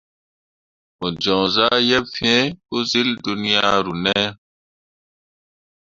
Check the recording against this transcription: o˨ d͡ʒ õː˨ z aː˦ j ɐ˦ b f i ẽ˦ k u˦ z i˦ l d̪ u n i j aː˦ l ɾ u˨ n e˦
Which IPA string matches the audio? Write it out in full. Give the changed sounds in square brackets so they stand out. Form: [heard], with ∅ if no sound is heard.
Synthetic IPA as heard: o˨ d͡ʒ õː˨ z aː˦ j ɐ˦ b f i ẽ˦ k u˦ z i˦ l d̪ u n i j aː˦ [∅] ɾ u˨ n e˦